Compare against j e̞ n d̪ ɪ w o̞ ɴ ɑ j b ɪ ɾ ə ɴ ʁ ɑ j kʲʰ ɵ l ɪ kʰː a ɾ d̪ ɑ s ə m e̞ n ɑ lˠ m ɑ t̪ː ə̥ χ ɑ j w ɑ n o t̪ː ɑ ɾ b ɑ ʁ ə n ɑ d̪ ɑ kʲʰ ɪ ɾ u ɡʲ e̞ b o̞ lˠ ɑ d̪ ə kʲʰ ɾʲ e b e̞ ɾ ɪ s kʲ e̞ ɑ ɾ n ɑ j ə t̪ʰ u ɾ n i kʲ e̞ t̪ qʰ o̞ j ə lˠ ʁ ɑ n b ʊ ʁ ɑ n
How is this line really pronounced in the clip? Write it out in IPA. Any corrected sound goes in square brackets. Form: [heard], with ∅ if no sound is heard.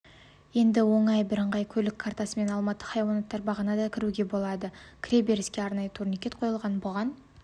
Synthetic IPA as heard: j e̞ n d̪ ɪ w o̞ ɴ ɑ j b ɪ ɾ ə ɴ ʁ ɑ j kʲʰ ɵ l ɪ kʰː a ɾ [t̪] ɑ s ə m e̞ n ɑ lˠ m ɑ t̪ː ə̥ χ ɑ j w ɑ n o t̪ː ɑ ɾ b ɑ ʁ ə n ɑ d̪ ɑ kʲʰ ɪ ɾ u ɡʲ e̞ b o̞ lˠ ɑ d̪ ə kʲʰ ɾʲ e b e̞ ɾ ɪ s kʲ e̞ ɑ ɾ n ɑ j ə t̪ʰ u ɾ n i kʲ e̞ t̪ qʰ o̞ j ə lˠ ʁ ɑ n b ʊ ʁ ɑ n

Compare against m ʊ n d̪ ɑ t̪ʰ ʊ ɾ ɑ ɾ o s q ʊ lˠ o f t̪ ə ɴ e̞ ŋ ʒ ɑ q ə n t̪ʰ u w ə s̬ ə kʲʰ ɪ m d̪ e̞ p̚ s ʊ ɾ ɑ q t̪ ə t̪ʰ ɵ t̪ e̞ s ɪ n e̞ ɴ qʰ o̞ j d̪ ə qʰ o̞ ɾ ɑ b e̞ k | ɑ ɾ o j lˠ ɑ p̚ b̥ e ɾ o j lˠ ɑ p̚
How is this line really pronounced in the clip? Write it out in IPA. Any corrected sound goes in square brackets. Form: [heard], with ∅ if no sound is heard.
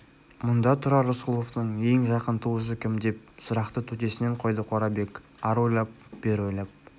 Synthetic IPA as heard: m ʊ n d̪ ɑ t̪ʰ ʊ ɾ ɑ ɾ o s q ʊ lˠ o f t̪ ə ɴ e̞ ŋ ʒ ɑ q ə n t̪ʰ u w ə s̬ ə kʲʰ ɪ m d̪ e̞ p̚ s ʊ ɾ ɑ q t̪ ə t̪ʰ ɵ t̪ e̞ s ɪ n e̞ ɴ qʰ o̞ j d̪ ə qʰ o̞ ɾ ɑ b e̞ k | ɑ ɾ o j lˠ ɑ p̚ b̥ e ɾ o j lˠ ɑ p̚

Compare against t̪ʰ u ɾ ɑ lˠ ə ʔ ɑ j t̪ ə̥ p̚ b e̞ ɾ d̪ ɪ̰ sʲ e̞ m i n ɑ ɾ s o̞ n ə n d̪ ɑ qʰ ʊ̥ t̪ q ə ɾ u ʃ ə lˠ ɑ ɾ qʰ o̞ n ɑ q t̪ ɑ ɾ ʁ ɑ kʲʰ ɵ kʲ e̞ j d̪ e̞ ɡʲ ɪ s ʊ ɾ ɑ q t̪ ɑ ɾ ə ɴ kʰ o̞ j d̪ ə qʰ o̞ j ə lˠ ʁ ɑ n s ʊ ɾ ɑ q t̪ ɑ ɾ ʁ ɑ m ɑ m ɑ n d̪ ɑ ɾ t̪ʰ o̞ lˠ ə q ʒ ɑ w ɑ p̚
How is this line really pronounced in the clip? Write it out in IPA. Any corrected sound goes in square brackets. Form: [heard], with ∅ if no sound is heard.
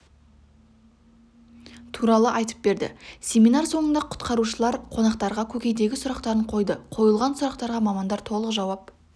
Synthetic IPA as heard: t̪ʰ u ɾ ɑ lˠ ə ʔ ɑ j t̪ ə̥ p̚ b e̞ ɾ d̪ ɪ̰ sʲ e̞ m i n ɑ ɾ s o̞ [ɴ] ə n d̪ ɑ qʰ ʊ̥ t̪ q [ɑ] ɾ u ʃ ə lˠ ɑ ɾ qʰ o̞ n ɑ q t̪ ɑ ɾ ʁ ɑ kʲʰ ɵ kʲ e̞ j d̪ e̞ ɡʲ ɪ s ʊ ɾ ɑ q t̪ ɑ ɾ ə ɴ [qʰ] o̞ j d̪ ə qʰ o̞ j ə lˠ ʁ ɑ n s ʊ ɾ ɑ q t̪ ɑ ɾ ʁ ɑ m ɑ m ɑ n d̪ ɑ ɾ t̪ʰ o̞ lˠ ə q ʒ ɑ w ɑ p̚

